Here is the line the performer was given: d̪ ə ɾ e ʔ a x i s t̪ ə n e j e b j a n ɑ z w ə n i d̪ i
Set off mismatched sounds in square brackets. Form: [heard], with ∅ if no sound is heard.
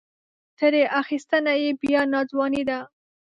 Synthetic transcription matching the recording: [t̪] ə ɾ e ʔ a x i s t̪ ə n [a] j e b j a n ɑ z w [ɑ] n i d̪ [a]